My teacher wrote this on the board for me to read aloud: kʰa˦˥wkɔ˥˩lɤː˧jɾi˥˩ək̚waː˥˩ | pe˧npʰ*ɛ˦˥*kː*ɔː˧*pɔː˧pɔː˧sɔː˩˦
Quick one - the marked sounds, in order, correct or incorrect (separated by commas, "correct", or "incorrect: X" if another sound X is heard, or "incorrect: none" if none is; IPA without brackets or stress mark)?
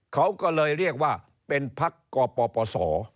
incorrect: a˦˥, correct